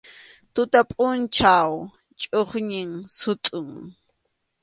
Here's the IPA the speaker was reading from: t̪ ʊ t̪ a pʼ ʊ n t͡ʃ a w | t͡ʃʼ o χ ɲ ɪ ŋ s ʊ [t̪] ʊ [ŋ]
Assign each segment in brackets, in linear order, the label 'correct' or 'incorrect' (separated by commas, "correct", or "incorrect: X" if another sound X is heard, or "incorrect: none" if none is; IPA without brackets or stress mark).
incorrect: t̪ʼ, correct